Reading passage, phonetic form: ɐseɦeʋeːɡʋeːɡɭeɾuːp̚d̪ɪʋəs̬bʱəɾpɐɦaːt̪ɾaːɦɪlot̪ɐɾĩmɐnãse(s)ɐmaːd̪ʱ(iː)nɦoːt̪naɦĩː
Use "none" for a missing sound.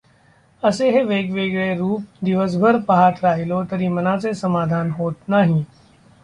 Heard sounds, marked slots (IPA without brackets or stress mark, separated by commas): s, aː